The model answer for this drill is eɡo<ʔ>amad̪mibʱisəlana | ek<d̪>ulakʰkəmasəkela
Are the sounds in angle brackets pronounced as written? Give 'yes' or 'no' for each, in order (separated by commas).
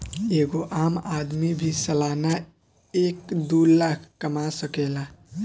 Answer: yes, yes